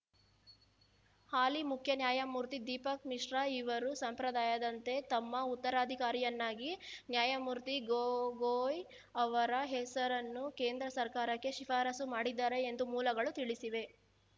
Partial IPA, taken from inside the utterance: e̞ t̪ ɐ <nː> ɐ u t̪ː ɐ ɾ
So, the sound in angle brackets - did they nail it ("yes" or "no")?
no